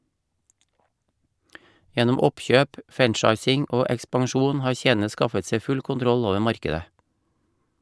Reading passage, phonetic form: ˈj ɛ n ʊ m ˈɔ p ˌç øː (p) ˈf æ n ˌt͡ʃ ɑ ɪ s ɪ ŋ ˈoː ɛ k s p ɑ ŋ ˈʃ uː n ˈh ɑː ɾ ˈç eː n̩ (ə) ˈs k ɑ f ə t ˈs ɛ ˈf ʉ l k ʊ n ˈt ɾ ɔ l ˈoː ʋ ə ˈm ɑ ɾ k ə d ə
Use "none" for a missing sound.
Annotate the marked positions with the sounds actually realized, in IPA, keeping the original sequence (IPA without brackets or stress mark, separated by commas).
p, ə